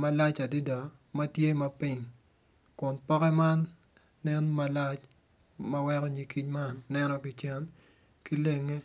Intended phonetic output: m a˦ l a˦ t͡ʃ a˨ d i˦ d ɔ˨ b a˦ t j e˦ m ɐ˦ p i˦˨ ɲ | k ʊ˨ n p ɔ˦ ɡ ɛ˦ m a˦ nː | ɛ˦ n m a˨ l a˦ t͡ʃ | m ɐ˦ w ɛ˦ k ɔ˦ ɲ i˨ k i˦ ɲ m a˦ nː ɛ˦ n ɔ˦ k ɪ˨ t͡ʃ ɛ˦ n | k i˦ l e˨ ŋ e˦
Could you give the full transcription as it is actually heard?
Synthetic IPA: m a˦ l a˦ t͡ʃ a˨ d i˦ d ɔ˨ m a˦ t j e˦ m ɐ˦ p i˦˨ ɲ | k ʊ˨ n p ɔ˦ k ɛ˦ m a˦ nː | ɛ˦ n m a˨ l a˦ t͡ʃ | m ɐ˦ w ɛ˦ k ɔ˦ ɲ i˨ k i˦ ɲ m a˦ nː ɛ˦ n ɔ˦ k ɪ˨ t͡ʃ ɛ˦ n | k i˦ l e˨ ŋ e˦